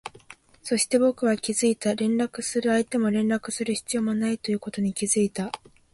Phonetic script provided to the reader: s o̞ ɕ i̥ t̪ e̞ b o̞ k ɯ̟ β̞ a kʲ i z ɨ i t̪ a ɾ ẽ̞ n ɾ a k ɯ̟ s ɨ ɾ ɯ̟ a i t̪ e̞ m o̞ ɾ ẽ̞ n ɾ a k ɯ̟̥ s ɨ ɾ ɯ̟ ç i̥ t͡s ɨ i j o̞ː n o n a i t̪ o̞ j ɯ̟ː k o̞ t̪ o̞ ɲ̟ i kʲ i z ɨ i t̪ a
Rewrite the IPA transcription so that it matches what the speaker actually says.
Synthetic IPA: s o̞ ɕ i̥ t̪ e̞ b o̞ k ɯ̟ β̞ a kʲ i z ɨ i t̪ a ɾ ẽ̞ n ɾ a k ɯ̟ s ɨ ɾ ɯ̟ a i t̪ e̞ m o̞ ɾ ẽ̞ n ɾ a k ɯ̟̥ s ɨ ɾ ɯ̟ ç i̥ t͡s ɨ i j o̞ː m o n a i t̪ o̞ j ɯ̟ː k o̞ t̪ o̞ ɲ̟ i kʲ i z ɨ i t̪ a